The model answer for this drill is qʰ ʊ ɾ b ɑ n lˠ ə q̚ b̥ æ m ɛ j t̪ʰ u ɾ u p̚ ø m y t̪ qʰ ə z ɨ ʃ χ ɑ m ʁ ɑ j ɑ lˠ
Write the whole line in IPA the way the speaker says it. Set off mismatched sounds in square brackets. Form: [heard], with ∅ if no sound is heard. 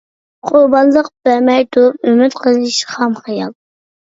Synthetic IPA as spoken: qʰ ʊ ɾ b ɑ n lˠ ə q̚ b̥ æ m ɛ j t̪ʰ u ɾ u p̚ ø m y t̪ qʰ ə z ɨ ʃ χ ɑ m [χ] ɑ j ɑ lˠ

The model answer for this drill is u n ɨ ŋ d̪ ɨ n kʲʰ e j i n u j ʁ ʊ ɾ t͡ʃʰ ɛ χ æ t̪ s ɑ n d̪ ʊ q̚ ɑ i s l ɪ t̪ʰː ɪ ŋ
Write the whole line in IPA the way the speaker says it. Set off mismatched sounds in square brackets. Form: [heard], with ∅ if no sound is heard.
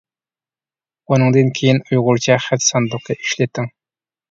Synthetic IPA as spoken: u n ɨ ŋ d̪ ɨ n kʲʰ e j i n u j ʁ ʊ ɾ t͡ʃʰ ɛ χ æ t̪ s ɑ n d̪ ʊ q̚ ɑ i [ʃ] l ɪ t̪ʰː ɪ ŋ

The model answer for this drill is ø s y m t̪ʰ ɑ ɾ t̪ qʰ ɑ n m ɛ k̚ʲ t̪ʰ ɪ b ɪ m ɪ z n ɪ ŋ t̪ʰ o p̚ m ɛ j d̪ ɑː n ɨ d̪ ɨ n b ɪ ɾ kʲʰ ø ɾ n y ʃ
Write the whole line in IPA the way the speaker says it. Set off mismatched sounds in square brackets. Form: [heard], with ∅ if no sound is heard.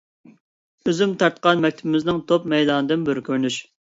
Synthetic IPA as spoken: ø [z] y m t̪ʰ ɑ ɾ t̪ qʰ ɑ n m ɛ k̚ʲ t̪ʰ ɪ b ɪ m ɪ z n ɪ ŋ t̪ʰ o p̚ m ɛ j d̪ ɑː n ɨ d̪ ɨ n b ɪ ɾ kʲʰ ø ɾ n y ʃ

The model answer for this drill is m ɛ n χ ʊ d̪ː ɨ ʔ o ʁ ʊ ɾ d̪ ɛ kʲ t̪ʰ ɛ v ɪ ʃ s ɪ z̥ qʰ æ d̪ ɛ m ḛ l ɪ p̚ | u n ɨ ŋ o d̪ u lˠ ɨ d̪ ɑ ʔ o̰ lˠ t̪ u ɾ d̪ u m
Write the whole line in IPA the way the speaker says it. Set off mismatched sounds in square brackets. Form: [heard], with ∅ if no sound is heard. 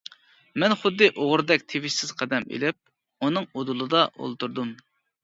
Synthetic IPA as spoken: m ɛ n χ ʊ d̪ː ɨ ʔ o ʁ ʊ ɾ d̪ ɛ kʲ t̪ʰ [e] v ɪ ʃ s ɪ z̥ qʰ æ d̪ ɛ m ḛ l ɪ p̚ | u n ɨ ŋ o d̪ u lˠ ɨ d̪ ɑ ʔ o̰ lˠ t̪ u ɾ d̪ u m

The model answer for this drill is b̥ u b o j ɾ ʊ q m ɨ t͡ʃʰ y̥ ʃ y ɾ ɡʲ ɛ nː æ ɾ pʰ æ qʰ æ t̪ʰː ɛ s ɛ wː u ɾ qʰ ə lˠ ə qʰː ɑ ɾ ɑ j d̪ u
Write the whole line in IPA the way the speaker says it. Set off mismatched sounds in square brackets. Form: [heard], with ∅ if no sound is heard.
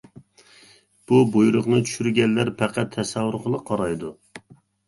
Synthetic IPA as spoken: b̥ u b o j ɾ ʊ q [n] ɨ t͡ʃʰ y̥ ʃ y ɾ ɡʲ ɛ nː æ ɾ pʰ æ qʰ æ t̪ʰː ɛ s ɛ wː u ɾ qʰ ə lˠ ə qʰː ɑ ɾ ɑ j d̪ u

